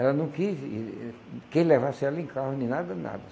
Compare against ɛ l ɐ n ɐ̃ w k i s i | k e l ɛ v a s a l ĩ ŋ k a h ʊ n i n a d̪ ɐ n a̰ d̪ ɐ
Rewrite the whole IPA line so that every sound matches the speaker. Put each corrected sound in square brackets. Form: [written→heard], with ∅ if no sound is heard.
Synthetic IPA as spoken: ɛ l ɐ n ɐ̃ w k i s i | k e l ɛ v a s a l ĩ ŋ k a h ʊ n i n a d̪ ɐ n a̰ d̪ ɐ